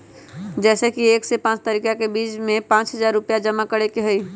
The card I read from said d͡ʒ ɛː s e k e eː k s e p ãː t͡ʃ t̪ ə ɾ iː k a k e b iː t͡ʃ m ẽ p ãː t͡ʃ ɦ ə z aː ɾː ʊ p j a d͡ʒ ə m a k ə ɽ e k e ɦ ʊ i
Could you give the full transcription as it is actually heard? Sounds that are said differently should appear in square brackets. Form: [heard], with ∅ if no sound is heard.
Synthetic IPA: d͡ʒ ɛː s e k [i] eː k s e p ãː t͡ʃ t̪ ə ɾ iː k a k e b iː t͡ʃ m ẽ p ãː t͡ʃ ɦ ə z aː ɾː ʊ p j a d͡ʒ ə m a k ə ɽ e k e ɦ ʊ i